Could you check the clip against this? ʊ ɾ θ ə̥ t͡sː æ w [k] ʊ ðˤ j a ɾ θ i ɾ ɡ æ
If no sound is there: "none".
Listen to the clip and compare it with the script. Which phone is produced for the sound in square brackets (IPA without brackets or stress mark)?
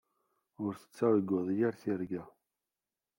ɡ